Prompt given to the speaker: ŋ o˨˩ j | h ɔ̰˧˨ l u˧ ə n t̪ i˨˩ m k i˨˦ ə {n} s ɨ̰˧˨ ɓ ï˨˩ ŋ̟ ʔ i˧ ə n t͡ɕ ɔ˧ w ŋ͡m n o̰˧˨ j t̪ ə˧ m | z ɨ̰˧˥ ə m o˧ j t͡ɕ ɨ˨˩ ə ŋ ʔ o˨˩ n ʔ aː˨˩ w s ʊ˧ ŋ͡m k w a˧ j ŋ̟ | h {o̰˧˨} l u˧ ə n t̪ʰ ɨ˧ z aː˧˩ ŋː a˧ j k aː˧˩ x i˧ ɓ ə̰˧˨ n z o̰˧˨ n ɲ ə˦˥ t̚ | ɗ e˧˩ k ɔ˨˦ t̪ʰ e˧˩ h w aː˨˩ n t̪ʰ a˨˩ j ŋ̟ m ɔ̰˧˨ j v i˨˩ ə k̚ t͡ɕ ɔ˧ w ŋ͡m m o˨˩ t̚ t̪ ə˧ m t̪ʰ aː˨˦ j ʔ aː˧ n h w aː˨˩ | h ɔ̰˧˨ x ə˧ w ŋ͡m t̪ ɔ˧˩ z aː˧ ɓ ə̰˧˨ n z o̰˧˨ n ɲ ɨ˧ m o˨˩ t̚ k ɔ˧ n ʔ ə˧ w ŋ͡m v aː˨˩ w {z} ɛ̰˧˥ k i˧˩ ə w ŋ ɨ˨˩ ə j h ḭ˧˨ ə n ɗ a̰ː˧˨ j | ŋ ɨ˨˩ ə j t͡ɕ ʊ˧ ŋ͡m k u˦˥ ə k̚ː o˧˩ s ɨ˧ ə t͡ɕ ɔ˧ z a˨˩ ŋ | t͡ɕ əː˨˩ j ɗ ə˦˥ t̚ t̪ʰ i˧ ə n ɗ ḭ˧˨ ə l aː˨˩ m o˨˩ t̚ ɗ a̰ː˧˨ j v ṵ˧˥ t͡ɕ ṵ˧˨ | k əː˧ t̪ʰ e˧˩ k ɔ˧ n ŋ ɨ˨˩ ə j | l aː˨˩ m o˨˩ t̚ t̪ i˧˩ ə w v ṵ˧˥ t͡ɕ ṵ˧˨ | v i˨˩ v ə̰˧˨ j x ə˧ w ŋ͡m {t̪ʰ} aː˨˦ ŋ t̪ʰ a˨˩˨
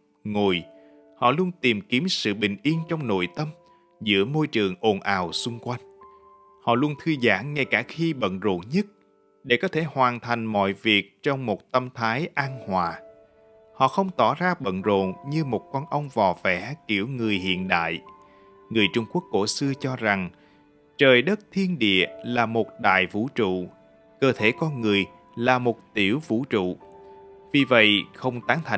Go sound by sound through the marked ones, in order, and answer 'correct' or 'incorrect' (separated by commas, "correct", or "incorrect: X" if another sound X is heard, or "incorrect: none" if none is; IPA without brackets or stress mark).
incorrect: m, incorrect: ɔ̰˧˨, incorrect: v, incorrect: t̪